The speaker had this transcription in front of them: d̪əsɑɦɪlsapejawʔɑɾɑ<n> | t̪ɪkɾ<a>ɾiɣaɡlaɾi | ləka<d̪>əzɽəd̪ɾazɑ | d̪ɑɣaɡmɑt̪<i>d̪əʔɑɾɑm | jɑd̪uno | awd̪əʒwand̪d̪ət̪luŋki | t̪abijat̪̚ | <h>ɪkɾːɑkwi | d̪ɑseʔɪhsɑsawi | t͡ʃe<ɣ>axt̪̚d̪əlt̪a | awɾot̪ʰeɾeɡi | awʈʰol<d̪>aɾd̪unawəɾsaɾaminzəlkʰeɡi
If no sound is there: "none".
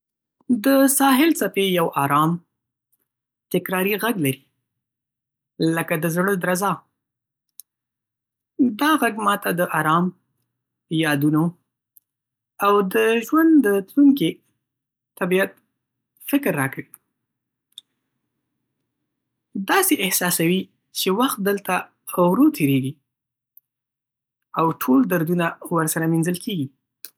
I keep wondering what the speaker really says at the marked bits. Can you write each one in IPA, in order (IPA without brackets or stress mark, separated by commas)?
m, ɑ, d̪, a, f, w, d̪